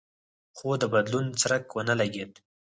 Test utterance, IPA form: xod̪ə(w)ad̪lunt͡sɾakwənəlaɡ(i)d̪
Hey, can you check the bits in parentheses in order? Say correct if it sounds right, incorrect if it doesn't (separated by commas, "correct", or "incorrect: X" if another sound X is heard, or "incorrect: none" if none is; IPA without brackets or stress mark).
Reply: incorrect: b, incorrect: e